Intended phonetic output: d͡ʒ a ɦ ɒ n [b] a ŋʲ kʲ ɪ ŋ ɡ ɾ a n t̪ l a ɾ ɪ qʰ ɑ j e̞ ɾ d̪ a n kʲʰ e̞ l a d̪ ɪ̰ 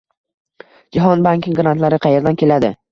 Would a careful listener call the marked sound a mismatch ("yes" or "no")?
no